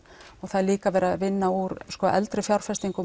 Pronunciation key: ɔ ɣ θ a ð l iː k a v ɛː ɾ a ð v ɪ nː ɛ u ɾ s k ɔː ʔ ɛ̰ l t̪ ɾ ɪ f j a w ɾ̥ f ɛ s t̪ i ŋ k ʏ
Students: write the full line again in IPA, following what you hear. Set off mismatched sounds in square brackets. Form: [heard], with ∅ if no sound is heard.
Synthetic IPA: ɔ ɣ θ a ð l iː k a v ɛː ɾ a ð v ɪ nː [a] u ɾ s k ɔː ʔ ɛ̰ l t̪ ɾ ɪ f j a w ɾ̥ f ɛ s t̪ i ŋ k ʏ